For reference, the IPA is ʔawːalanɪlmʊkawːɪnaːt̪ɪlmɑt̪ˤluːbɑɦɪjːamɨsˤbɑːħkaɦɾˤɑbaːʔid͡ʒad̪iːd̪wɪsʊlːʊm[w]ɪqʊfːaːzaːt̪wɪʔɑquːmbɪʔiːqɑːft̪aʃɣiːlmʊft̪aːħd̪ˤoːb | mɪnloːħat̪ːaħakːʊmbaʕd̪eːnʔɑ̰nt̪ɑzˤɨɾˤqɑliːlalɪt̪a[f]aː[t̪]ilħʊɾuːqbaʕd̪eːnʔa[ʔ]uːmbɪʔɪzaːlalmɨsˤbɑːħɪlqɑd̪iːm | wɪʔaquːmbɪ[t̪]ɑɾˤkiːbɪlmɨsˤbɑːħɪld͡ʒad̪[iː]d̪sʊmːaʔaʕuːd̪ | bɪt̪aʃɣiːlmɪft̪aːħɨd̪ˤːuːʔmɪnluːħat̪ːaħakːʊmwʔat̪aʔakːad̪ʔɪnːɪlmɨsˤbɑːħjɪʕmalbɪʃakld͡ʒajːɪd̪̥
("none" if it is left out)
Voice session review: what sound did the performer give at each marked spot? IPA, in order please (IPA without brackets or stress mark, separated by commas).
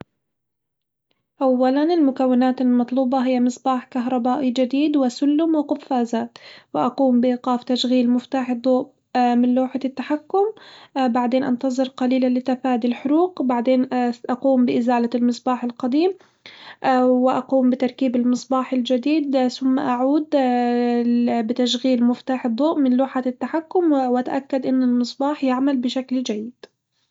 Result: w, f, d̪, q, t̪, iː